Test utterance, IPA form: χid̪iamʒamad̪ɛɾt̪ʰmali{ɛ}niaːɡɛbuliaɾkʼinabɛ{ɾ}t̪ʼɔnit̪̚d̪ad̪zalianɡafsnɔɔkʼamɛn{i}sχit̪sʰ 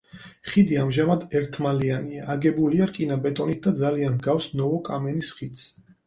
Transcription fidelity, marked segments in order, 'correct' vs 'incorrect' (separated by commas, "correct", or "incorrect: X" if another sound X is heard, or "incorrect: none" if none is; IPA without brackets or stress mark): incorrect: a, incorrect: none, correct